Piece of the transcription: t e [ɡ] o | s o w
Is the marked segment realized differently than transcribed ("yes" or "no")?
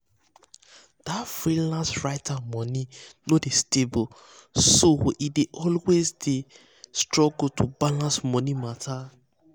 yes